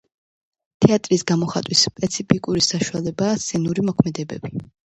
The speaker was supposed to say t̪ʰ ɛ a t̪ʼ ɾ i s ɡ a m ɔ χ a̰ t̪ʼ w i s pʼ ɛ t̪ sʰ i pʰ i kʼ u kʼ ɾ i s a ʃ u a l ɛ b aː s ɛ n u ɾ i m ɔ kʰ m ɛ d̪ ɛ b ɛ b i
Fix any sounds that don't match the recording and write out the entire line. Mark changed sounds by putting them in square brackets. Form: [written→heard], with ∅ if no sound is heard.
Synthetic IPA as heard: t̪ʰ ɛ a t̪ʼ ɾ i s ɡ a m ɔ χ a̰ t̪ʼ w i s pʼ ɛ t̪ sʰ i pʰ i kʼ u [kʼ→∅] ɾ i s a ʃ u a l ɛ b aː s ɛ n u ɾ i m ɔ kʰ m ɛ d̪ ɛ b ɛ b i